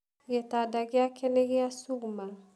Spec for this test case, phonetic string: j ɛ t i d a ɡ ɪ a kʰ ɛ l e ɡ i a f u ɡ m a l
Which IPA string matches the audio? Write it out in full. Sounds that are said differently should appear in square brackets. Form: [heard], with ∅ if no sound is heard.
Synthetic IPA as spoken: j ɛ t [a] d a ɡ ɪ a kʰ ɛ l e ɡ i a [s] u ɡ m a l